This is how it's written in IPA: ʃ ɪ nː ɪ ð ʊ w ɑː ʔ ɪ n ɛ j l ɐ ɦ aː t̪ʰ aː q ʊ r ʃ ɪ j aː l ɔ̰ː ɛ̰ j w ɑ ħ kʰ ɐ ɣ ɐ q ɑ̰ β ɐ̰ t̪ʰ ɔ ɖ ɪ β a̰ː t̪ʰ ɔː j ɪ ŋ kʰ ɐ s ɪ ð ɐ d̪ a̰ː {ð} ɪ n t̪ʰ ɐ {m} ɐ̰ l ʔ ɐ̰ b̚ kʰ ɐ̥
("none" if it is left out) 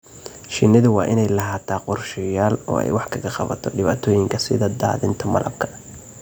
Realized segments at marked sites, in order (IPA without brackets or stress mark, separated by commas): ð, m